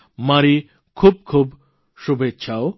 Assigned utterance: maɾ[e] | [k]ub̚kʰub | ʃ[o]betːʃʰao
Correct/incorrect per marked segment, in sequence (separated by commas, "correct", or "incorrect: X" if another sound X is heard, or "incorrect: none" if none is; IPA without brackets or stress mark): incorrect: i, incorrect: kʰ, incorrect: u